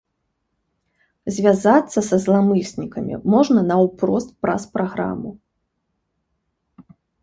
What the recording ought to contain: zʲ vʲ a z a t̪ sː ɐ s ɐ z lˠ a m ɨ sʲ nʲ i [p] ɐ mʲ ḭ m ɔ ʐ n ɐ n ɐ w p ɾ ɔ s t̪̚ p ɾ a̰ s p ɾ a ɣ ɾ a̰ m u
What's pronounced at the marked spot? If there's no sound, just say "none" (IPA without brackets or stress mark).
k